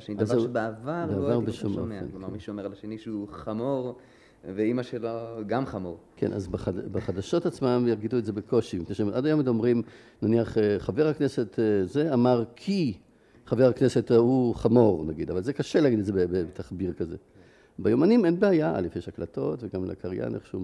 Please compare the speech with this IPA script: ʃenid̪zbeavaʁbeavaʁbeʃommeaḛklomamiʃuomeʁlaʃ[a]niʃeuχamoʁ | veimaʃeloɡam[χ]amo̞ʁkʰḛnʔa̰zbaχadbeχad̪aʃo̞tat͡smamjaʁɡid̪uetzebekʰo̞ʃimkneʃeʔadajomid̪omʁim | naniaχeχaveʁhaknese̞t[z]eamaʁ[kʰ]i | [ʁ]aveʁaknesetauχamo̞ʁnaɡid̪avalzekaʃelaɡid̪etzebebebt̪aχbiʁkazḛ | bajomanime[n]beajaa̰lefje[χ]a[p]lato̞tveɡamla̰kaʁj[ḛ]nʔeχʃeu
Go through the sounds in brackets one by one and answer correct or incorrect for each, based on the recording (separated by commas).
incorrect, correct, correct, correct, incorrect, correct, incorrect, incorrect, incorrect